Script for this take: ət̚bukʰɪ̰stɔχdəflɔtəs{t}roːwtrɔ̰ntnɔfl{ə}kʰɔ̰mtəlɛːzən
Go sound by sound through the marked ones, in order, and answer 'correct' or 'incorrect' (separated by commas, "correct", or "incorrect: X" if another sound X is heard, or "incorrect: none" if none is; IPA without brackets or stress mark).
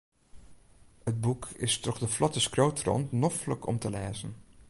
incorrect: k, correct